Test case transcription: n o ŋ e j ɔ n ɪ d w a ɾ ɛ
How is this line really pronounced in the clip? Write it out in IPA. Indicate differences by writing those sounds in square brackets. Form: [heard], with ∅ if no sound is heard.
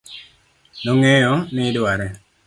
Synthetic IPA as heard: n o ŋ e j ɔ n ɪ d w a ɾ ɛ